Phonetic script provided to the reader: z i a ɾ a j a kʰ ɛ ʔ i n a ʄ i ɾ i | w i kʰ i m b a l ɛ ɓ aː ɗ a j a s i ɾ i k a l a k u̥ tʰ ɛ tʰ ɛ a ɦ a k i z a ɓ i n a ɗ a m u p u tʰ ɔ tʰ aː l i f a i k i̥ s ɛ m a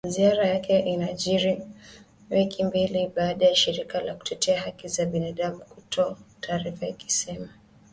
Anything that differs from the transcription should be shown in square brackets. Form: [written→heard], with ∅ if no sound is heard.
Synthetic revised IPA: z i a ɾ a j a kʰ ɛ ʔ i n a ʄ i ɾ i | w i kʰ i m b [a→i] l [ɛ→i] ɓ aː ɗ a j a [s→ʃ] i ɾ i k a l a k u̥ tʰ ɛ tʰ ɛ a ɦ a k i z a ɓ i n a ɗ a m u [p→k] u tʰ ɔ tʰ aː [l→ɾ] i f a i k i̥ s ɛ m a